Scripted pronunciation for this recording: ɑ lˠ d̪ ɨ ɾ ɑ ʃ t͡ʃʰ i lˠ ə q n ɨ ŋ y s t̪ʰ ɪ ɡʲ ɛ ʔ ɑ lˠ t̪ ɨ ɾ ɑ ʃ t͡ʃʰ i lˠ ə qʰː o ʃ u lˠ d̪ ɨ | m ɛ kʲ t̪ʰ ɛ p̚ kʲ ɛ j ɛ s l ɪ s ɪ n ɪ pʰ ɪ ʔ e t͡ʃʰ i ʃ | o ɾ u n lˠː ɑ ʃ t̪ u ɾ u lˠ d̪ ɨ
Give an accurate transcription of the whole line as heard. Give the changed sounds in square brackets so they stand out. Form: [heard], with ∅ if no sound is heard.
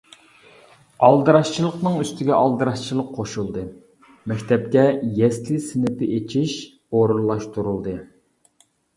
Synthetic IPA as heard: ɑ lˠ d̪ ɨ ɾ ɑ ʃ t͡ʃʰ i lˠ ə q n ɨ ŋ y s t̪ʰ ɪ ɡʲ ɛ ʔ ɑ lˠ [d̪] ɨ ɾ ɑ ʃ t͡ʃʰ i lˠ ə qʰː o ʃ u lˠ d̪ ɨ | m ɛ kʲ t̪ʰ ɛ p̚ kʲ ɛ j ɛ s l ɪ s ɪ n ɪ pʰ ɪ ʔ e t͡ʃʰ i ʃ | o ɾ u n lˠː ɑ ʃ t̪ u ɾ u lˠ d̪ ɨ